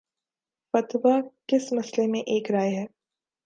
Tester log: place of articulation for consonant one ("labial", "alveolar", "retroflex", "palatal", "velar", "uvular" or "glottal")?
labial